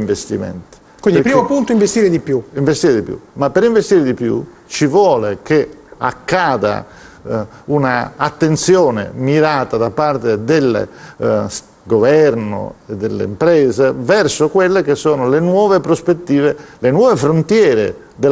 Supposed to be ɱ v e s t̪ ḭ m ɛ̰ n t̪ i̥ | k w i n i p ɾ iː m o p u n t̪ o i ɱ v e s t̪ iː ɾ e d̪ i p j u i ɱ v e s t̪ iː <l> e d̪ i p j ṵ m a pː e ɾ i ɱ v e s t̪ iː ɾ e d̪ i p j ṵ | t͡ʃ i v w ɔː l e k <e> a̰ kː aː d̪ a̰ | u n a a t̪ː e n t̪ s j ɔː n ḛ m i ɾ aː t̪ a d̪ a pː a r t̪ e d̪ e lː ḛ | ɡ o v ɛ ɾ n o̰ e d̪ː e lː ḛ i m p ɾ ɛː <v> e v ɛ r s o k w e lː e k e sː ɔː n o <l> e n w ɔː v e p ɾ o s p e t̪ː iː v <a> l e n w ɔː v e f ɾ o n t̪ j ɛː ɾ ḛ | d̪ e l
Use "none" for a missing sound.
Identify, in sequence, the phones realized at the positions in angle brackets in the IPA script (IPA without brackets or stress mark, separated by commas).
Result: ɾ, e, z, l, e